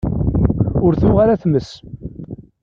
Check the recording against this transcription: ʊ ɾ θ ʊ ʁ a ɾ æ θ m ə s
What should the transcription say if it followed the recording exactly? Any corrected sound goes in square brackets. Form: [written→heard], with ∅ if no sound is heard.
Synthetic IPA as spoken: ʊ ɾ θ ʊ ʁ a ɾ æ θ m ə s